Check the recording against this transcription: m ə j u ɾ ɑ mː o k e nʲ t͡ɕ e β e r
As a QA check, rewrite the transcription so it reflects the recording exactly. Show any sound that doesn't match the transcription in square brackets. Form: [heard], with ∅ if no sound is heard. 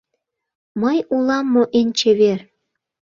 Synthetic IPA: m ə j u [l] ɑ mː o [ʔ] e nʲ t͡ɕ e β e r